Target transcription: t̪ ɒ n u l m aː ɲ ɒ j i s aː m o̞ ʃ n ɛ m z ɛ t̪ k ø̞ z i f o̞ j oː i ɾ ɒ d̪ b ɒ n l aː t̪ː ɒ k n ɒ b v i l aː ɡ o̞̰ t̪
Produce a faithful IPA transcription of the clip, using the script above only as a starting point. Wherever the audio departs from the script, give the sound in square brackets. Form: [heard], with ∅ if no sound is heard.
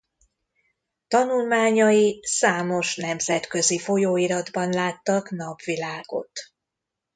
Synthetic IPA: t̪ ɒ n u l m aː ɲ ɒ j i s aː m o̞ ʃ n ɛ m z ɛ t̪ k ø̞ z i f o̞ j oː i ɾ ɒ d̪ b ɒ n l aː t̪ː ɒ k n ɒ b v i l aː ɡ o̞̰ t̪